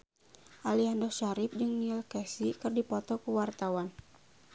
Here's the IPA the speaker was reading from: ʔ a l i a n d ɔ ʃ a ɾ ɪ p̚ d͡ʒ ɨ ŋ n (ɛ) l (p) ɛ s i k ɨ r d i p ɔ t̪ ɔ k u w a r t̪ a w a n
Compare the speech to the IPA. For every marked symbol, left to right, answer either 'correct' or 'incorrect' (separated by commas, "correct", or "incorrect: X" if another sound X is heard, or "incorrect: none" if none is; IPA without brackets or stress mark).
incorrect: i, incorrect: k